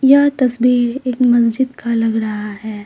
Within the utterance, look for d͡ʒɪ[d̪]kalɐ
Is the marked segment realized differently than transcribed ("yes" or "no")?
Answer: no